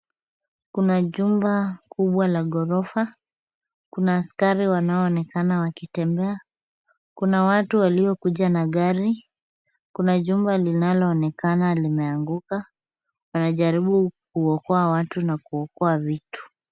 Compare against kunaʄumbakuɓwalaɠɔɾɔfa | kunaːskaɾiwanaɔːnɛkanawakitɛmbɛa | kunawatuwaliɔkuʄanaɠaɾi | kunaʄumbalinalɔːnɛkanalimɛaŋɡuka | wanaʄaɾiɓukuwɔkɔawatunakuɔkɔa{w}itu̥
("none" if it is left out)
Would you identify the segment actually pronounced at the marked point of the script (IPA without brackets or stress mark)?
v